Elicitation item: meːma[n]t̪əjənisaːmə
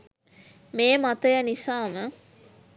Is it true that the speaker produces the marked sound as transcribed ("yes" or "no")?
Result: no